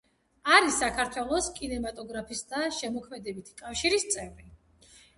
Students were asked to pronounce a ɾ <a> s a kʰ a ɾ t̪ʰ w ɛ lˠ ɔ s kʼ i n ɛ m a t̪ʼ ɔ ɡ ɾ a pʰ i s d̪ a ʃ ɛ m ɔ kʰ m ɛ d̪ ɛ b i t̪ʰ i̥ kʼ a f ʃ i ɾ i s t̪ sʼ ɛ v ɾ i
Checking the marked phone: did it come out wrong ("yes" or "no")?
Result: yes